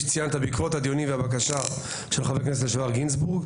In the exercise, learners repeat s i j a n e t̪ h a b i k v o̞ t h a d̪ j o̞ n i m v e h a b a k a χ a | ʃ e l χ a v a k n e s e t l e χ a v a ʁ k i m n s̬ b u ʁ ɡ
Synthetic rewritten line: t͡s i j a n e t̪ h a b i k v o̞ t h a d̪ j o̞ n i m v e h a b a k a ʃ a | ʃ e l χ a v e k n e s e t l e ʃ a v a ʁ ɡ i n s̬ b u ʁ ɡ